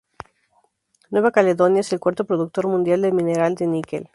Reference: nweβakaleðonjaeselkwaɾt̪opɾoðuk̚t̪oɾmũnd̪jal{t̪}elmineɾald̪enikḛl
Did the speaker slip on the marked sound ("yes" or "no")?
yes